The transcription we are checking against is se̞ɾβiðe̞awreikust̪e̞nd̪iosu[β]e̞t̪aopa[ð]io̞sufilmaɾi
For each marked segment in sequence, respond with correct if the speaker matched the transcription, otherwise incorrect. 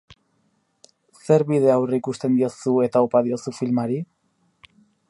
incorrect: none, correct

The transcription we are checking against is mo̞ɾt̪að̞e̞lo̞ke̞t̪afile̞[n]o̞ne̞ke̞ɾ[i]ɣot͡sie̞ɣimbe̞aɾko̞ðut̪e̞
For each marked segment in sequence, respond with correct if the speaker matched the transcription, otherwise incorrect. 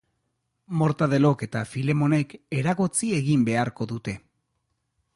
incorrect: m, incorrect: a

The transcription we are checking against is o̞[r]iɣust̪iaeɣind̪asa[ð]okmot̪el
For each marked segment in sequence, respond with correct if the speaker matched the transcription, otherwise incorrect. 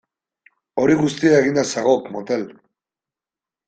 incorrect: ɾ, incorrect: ɣ

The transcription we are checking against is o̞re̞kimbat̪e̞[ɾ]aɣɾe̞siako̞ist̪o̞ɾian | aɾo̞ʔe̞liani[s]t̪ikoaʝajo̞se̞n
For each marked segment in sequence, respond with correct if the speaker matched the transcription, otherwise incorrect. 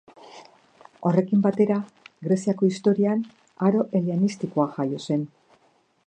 correct, correct

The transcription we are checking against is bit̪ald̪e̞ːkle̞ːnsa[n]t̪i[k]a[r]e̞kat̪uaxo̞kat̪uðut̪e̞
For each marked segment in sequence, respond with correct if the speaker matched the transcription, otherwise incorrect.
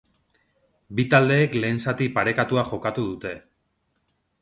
incorrect: none, incorrect: p, incorrect: ɾ

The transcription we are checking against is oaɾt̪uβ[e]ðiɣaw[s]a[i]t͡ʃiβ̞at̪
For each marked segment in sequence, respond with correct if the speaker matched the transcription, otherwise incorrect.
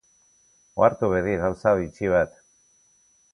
correct, correct, correct

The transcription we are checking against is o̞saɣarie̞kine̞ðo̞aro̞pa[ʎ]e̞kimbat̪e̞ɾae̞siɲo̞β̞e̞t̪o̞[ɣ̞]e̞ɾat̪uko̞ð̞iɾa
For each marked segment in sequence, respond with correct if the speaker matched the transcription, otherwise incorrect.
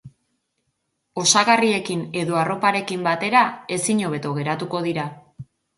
incorrect: ɾ, correct

